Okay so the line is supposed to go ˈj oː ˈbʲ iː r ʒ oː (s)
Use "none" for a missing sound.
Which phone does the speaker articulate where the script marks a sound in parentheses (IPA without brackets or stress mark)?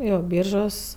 s